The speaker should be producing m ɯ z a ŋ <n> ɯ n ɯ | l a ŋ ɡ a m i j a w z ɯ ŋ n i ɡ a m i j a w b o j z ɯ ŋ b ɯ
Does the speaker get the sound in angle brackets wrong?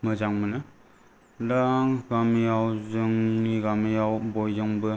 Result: yes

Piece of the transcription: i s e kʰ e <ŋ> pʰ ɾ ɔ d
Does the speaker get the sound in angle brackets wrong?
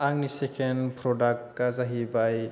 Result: yes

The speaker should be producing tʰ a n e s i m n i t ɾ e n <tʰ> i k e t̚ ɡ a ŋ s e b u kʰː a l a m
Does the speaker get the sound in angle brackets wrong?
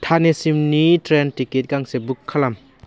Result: yes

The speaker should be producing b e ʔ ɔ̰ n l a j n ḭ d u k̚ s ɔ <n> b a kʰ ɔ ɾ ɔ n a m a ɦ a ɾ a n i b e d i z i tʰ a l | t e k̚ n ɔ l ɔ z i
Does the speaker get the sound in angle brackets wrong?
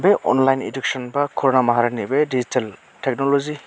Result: no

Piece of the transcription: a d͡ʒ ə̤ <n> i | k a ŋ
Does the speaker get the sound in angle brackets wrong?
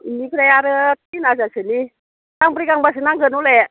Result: no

